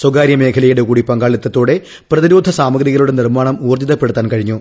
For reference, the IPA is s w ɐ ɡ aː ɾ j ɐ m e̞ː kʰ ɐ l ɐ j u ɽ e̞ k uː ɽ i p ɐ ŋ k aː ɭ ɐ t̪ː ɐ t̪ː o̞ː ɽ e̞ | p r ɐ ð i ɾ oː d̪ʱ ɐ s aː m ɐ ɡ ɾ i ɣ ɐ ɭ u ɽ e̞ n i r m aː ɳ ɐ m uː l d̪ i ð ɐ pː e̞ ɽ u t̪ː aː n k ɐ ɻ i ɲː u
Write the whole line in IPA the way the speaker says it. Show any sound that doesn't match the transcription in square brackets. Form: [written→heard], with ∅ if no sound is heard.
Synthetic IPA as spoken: s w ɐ ɡ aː ɾ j ɐ m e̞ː kʰ ɐ l ɐ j u ɽ e̞ k uː ɽ i p ɐ ŋ [k→ɡ] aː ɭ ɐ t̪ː ɐ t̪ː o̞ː ɽ e̞ | p r ɐ ð i ɾ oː d̪ʱ ɐ s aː m ɐ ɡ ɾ i ɣ ɐ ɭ u ɽ e̞ n i r m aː ɳ ɐ m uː [l→r] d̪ i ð ɐ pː e̞ ɽ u t̪ː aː n k ɐ ɻ i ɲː u